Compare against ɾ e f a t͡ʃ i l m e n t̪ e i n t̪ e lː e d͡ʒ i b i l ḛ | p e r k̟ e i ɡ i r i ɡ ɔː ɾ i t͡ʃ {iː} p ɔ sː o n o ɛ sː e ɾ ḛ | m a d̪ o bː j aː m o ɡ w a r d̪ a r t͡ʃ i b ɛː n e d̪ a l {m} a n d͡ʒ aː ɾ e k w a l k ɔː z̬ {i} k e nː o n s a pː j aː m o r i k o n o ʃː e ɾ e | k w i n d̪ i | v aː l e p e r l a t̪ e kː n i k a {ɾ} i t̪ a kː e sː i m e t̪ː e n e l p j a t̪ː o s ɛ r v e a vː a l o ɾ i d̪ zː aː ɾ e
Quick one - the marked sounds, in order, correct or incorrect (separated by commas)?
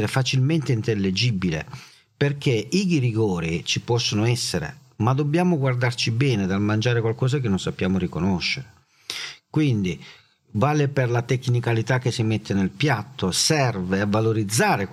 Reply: incorrect, correct, incorrect, incorrect